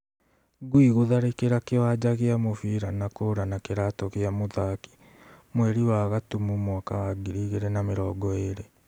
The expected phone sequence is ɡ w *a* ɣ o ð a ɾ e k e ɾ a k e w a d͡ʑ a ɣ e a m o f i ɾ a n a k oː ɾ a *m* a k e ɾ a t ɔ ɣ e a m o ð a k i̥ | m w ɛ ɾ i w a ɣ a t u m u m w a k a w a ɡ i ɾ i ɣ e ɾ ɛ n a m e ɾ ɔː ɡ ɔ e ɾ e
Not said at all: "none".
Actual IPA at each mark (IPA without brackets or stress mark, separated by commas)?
i, n